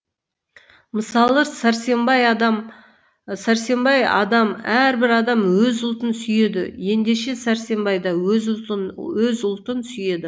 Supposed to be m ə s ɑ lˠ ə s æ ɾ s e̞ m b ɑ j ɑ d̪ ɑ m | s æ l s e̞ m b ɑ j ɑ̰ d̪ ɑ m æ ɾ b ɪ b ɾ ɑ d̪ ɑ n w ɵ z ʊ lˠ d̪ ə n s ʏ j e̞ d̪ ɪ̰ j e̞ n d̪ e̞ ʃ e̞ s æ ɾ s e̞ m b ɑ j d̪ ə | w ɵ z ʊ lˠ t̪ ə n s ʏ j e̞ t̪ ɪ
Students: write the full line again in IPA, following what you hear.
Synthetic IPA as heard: m ə s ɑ lˠ ə s æ ɾ s e̞ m b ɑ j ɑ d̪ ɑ m | s æ ɾ s e̞ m b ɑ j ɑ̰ d̪ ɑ m æ ɾ b ɪ ɾ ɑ d̪ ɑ m w ɵ z ʊ lˠ t̪ ə n s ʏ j e̞ d̪ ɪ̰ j e̞ n d̪ e̞ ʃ e̞ s æ ɾ s e̞ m b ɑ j d̪ ɑ | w ɵ z ʊ lˠ t̪ ə n s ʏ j e̞ d̪ ɪ